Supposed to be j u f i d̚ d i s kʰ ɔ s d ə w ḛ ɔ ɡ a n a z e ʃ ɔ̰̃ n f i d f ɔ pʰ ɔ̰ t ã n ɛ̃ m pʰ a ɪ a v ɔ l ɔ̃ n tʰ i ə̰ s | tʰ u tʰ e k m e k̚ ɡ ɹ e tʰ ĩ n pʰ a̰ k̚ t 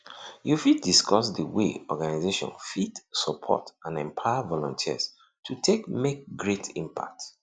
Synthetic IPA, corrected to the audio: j u f i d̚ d i s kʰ ɔ s d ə w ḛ ɔ ɡ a n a z e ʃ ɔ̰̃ n f i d s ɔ pʰ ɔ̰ t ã n ɛ̃ m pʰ a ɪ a v ɔ l ɔ̃ n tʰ i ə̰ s | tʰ u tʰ e k m e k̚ ɡ ɹ e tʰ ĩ m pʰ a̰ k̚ t